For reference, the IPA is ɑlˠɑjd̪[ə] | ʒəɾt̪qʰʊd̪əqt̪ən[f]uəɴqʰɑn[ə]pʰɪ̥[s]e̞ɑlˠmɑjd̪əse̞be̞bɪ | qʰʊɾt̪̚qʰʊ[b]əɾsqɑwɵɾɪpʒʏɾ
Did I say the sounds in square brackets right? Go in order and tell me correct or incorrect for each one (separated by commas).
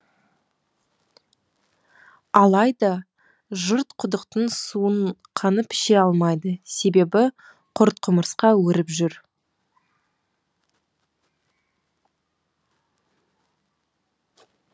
incorrect, incorrect, correct, incorrect, incorrect